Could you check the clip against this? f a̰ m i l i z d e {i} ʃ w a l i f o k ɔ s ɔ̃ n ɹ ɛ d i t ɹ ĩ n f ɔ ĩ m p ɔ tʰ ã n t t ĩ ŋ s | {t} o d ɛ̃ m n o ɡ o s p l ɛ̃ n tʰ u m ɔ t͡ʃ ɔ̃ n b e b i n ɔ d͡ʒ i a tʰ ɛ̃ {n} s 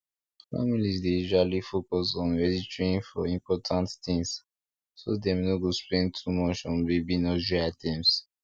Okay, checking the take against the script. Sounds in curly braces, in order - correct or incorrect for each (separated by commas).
correct, incorrect, incorrect